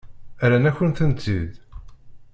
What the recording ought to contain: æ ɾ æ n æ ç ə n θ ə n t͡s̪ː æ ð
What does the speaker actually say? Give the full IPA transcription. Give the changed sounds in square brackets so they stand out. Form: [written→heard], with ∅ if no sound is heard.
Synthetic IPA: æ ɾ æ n æ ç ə n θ ə n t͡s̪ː [æ→i] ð